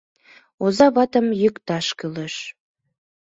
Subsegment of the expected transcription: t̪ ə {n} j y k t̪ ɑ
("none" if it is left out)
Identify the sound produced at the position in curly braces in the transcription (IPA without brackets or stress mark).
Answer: m